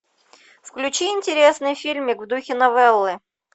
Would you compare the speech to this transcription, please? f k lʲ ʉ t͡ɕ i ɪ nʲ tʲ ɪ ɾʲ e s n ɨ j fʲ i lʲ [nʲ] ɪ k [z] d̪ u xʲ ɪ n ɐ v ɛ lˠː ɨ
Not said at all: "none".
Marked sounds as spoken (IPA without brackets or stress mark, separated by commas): mʲ, v